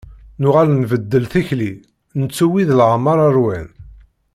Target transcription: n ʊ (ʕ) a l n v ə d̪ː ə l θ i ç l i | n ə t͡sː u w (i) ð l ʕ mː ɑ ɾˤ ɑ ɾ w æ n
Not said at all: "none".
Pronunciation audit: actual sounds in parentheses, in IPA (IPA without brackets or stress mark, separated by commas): ʁ, i